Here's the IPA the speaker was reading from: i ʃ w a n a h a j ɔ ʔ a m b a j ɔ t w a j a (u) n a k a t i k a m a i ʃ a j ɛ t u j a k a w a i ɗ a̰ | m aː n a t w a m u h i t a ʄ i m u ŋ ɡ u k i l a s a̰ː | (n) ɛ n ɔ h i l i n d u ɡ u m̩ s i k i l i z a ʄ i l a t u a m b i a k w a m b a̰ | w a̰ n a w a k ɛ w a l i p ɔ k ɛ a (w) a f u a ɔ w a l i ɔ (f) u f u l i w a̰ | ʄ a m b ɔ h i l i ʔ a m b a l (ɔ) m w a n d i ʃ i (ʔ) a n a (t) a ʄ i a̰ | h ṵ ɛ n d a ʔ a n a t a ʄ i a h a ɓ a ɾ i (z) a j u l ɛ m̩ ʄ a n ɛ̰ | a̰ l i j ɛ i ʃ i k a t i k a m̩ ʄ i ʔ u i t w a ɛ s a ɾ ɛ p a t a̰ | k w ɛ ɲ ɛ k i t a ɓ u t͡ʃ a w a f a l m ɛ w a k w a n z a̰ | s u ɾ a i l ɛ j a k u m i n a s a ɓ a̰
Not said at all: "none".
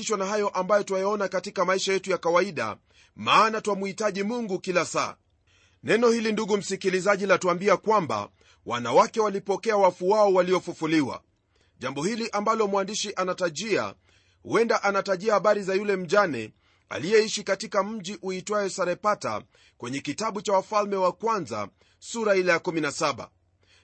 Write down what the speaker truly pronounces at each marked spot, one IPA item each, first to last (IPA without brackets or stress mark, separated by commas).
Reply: ɔ, n, w, f, ɔ, ʔ, t, z